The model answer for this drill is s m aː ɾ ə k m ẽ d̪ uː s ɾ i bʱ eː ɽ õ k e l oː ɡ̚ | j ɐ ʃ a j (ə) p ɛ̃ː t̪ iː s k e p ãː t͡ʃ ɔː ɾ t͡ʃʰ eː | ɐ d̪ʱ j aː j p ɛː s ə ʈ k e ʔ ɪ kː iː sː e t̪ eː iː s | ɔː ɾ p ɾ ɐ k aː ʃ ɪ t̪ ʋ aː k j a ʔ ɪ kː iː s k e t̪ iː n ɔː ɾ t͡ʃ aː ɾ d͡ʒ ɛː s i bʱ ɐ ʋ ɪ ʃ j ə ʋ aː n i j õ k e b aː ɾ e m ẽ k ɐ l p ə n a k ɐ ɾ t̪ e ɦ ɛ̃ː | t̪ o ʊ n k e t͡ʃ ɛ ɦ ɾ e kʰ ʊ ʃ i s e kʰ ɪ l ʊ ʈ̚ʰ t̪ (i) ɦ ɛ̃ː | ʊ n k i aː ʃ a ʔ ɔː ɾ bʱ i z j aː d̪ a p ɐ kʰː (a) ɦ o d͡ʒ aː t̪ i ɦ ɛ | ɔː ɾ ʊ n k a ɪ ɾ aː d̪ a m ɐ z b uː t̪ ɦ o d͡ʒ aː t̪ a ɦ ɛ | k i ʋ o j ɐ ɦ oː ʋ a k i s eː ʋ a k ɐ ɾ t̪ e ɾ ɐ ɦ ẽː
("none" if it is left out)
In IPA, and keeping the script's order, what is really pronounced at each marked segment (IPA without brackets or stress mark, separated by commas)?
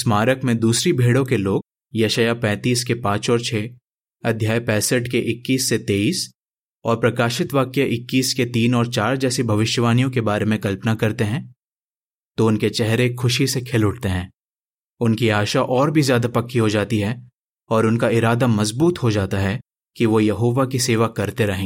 a, e, i